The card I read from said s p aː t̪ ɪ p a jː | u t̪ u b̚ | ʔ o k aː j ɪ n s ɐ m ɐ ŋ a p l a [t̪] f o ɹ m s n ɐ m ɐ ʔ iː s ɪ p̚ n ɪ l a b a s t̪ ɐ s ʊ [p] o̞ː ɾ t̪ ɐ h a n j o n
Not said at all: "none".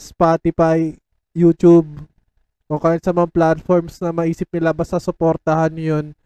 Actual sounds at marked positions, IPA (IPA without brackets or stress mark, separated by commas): t̪, p